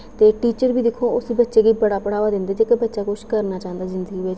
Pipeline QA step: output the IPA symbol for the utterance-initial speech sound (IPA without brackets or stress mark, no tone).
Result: t̪